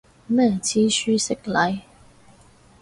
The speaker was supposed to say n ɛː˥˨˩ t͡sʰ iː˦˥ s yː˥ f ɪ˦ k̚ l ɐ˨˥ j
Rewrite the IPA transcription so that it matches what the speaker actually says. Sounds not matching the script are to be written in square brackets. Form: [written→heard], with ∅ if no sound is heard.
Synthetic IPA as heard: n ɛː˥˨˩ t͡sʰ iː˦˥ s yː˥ [f→s] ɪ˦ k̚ l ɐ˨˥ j